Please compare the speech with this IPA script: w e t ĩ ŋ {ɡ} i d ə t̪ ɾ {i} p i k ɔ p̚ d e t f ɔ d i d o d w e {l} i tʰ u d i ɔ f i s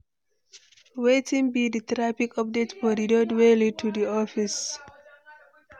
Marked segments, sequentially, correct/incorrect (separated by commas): incorrect, incorrect, correct